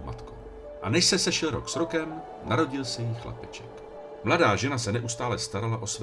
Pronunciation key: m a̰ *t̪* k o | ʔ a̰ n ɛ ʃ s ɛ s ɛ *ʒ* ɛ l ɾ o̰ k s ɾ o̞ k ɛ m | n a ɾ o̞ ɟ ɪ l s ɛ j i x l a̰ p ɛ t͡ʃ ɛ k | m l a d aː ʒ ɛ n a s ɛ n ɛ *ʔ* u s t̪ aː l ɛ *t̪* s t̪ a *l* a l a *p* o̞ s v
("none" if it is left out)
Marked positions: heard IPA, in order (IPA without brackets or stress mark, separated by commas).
t̪, ʃ, ʔ, none, ɾ, ʔ